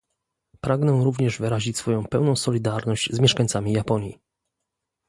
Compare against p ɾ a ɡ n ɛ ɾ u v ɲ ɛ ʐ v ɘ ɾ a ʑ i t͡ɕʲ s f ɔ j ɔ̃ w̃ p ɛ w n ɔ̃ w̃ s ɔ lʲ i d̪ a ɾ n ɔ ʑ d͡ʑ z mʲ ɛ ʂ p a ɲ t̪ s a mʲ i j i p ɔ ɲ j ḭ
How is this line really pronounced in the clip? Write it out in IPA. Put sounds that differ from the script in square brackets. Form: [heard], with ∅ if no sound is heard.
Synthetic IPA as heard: p ɾ a ɡ n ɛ ɾ u v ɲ ɛ ʐ v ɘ ɾ a ʑ i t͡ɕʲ s f ɔ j ɔ̃ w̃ p ɛ w n ɔ̃ w̃ s ɔ lʲ i d̪ a ɾ n ɔ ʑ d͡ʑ z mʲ ɛ ʂ [k] a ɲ t̪ s a mʲ i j [a] p ɔ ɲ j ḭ